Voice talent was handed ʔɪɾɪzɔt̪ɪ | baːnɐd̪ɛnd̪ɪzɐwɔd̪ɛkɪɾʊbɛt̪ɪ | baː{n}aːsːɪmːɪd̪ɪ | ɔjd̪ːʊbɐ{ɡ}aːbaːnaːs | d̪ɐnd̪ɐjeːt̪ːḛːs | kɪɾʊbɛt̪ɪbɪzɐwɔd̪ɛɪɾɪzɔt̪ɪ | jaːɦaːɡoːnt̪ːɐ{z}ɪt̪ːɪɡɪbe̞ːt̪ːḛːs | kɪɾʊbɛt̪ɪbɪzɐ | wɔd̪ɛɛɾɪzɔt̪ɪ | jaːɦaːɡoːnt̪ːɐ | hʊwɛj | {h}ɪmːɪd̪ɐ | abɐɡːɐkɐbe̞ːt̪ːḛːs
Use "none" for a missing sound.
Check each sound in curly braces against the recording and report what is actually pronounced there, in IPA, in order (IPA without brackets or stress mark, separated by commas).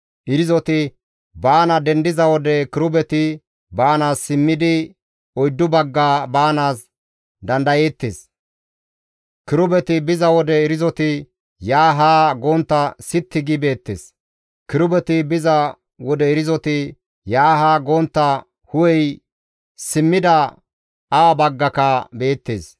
n, ɡː, s, s